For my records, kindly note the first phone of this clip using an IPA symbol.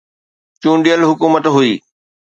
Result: t͡ɕ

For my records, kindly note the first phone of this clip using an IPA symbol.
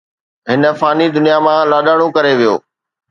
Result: ɦ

